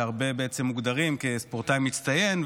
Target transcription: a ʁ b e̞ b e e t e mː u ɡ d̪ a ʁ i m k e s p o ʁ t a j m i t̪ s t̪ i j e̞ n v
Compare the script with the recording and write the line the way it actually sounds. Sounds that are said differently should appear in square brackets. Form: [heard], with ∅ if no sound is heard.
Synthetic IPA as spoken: a ʁ b e̞ b e e [t͡s] e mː u ɡ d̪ a ʁ i m k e s p o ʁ t a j m i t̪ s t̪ [a] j e̞ n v